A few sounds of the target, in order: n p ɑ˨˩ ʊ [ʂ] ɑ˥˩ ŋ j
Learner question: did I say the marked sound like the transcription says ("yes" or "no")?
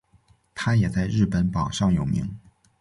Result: yes